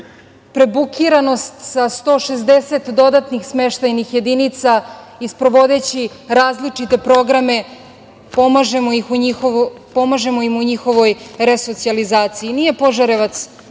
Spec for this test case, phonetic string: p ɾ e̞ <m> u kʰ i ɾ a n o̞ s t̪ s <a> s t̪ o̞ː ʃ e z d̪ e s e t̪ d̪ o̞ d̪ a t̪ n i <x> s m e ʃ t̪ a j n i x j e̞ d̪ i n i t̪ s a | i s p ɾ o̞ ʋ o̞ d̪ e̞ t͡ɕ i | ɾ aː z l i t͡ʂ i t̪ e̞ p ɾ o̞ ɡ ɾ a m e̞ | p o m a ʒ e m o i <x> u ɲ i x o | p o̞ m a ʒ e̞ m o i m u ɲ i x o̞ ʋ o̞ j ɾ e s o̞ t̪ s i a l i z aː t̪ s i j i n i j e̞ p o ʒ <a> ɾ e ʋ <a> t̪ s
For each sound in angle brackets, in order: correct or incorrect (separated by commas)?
incorrect, correct, correct, correct, correct, correct